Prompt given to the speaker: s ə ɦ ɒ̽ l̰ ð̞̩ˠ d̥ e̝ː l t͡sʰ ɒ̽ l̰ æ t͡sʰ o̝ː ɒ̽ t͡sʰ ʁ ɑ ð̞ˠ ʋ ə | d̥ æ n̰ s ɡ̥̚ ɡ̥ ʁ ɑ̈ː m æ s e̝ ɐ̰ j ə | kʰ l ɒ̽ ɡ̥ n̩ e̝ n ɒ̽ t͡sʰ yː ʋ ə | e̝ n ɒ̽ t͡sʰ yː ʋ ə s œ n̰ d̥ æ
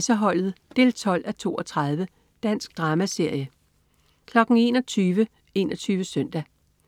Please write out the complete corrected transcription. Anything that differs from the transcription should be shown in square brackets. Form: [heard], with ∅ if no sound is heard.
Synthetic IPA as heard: s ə ɦ ɒ̽ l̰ ð̞̩ˠ d̥ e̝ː l t͡sʰ ɒ̽ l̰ æ t͡sʰ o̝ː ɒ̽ t͡sʰ ʁ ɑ ð̞ˠ ʋ ə | d̥ æ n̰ s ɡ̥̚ [d̥] ʁ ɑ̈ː m æ s e̝ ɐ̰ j ə | kʰ l ɒ̽ ɡ̥ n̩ e̝ n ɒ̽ t͡sʰ yː ʋ ə | e̝ n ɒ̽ t͡sʰ yː ʋ ə s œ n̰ d̥ æ